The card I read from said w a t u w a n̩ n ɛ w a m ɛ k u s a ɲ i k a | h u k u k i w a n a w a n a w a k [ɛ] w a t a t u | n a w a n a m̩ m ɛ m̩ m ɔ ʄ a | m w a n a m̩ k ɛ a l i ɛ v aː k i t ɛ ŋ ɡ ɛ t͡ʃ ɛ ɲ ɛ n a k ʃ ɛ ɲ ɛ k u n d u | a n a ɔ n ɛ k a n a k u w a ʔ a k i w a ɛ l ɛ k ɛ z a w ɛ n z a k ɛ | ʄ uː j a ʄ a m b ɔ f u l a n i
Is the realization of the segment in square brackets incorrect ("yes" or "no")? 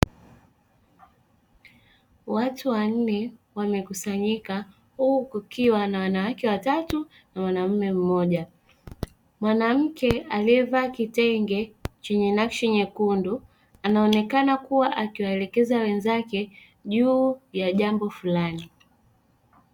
no